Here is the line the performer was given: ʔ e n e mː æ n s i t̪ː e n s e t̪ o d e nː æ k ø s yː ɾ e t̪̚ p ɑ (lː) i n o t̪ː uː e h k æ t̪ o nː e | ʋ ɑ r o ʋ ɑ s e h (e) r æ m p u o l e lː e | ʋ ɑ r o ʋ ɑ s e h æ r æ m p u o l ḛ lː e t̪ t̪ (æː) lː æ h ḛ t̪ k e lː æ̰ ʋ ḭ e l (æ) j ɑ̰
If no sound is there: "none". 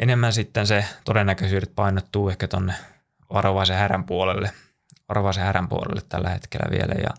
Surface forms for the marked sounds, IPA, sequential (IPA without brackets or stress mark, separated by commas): none, æ, æ, æ